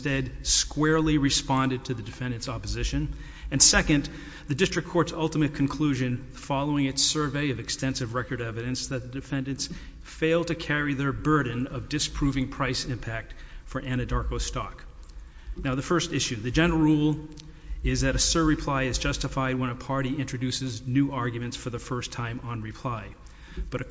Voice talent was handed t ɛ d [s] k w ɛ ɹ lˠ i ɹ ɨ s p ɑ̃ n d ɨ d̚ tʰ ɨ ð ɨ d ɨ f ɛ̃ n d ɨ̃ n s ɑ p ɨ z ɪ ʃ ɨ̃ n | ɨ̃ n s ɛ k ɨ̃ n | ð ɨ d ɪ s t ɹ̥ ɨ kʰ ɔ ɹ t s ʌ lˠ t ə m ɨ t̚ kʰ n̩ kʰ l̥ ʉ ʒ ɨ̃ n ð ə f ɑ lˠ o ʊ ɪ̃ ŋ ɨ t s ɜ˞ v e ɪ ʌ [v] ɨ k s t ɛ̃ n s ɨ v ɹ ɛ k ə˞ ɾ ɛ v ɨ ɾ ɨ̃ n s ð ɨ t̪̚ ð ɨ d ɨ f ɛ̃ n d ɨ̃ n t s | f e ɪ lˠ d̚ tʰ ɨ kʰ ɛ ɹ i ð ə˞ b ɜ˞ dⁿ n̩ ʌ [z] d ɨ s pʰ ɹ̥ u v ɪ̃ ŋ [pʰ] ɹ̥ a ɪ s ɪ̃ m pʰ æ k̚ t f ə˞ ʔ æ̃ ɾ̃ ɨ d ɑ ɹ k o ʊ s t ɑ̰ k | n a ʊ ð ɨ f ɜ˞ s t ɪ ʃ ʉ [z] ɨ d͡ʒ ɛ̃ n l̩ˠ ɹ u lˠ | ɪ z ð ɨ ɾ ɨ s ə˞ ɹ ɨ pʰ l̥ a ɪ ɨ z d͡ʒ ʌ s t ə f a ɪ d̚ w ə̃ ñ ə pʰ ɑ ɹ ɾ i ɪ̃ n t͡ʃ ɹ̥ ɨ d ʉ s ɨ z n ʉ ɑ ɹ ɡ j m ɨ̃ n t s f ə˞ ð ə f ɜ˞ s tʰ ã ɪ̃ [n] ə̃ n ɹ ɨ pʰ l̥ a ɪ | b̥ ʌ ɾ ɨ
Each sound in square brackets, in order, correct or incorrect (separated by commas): correct, correct, incorrect, correct, incorrect, incorrect